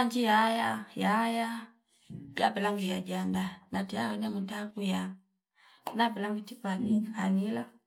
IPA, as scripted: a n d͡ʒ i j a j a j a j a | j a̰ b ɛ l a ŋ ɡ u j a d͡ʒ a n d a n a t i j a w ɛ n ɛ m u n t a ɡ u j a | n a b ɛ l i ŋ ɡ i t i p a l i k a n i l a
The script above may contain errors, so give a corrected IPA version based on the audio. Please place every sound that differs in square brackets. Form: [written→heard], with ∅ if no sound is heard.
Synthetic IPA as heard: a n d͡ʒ i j a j a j a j a | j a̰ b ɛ l a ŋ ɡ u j a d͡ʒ a n d a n a t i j a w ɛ n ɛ m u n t a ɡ u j a | n a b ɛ l [i→a] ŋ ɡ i t i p a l i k a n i l a

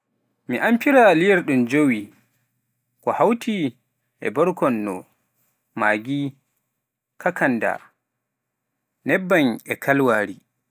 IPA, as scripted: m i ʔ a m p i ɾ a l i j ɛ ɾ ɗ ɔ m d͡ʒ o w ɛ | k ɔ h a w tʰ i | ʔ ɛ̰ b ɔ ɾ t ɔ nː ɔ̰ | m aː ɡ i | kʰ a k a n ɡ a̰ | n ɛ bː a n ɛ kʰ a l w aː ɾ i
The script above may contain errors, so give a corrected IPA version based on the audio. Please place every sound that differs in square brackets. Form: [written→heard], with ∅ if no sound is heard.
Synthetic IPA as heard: m i ʔ a m p i ɾ a l i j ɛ ɾ ɗ [ɔ→u] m d͡ʒ o w [ɛ→i] | k ɔ h a w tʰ i | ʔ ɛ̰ b ɔ ɾ [t→k] ɔ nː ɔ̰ | m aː ɡ i | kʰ a k a n [ɡ→d] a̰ | n ɛ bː a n ɛ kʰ a l w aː ɾ i

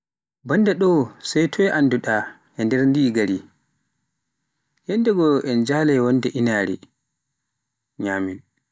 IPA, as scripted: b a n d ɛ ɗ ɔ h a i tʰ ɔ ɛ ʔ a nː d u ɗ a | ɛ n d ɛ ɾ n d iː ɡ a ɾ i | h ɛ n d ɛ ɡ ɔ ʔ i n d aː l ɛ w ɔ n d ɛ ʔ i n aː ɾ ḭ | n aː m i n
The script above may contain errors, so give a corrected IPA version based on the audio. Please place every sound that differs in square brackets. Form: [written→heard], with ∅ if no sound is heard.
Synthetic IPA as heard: b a n d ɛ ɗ ɔ [h→s] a [i→j] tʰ ɔ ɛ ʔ a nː d u ɗ a | ɛ n d ɛ ɾ n d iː ɡ a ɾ i | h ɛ n d ɛ ɡ ɔ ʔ [i→ɛ] n [d→d͡ʒ] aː l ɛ w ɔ n d ɛ ʔ i n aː ɾ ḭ | [n→ɲ] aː m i n

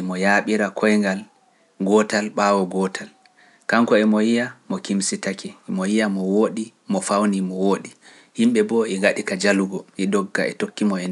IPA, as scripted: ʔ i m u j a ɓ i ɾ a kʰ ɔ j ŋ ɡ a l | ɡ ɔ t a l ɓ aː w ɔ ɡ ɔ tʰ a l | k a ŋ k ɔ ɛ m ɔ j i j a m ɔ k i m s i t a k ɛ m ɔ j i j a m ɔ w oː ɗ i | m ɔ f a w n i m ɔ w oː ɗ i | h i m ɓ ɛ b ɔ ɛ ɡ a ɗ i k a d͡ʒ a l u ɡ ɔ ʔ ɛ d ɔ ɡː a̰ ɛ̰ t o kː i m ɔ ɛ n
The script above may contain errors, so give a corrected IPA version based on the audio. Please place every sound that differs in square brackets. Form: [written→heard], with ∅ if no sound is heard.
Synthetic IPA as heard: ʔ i m [u→ɔ] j a ɓ i ɾ a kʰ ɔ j ŋ ɡ a l | ɡ ɔ t a l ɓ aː w ɔ ɡ ɔ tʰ a l | k a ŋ k ɔ ɛ m ɔ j i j a m ɔ k i m s i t a k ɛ m ɔ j i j a m ɔ w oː ɗ i | m ɔ f a w n i m ɔ w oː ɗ i | h i m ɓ ɛ b ɔ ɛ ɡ a ɗ i k a d͡ʒ a l u ɡ ɔ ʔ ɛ d ɔ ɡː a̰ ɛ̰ t o kː i m ɔ ɛ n

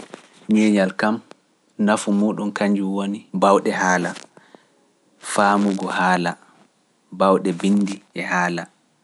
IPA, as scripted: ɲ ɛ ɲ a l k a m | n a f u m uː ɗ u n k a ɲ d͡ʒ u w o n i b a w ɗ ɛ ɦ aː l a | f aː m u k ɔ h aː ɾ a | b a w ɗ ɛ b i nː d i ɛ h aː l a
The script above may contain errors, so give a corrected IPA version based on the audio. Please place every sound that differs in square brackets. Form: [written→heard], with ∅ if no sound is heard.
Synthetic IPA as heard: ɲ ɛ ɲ a l k a m | n a f u m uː ɗ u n k a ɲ d͡ʒ u w o n i b a w ɗ ɛ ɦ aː l a | f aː m u [k→ɡ] ɔ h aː [ɾ→l] a | b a w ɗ ɛ b i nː d i ɛ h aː l a

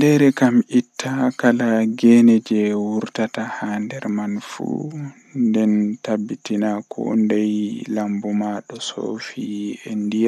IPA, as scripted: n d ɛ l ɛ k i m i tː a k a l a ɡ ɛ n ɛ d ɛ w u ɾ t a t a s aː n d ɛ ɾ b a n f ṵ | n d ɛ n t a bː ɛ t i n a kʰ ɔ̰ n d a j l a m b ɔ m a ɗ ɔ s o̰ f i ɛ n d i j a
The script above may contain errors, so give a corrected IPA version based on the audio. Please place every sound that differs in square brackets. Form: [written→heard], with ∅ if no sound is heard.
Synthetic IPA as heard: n d ɛ [l→ɾ] ɛ k [i→a] m i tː a k a l a ɡ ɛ n ɛ [d→d͡ʒ] ɛ w u ɾ t a t a [s→h] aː n d ɛ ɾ [b→m] a n f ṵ | n d ɛ n t a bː [ɛ→i] t i n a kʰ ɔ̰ n d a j l a m b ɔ m a ɗ ɔ s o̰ f i ɛ n d i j a

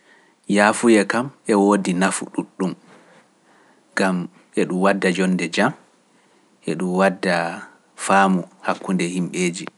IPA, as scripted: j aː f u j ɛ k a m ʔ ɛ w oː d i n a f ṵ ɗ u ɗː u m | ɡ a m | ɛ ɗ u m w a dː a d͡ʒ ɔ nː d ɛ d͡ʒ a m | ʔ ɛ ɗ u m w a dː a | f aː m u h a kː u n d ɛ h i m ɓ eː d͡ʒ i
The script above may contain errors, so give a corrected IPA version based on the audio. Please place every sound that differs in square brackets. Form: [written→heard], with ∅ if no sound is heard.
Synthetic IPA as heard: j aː f u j ɛ k a m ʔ ɛ w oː d i n a f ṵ ɗ u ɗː u m | ɡ a m | ɛ ɗ u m w a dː a d͡ʒ ɔ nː d ɛ d͡ʒ a m | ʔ ɛ ɗ u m w a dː a | f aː m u h a kː u n d ɛ h i m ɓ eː d͡ʒ i

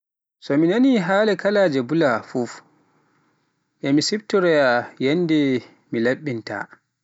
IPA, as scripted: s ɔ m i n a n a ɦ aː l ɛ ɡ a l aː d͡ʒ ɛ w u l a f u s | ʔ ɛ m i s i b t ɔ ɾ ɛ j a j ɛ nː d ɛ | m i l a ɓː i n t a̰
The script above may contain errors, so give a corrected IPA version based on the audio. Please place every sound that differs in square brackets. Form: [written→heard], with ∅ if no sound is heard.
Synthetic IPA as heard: s ɔ m i n a n [a→i] ɦ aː l ɛ [ɡ→k] a l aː d͡ʒ ɛ [w→b] u l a f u [s→f] | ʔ ɛ m i s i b t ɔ ɾ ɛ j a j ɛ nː d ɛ | m i l a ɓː i n t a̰

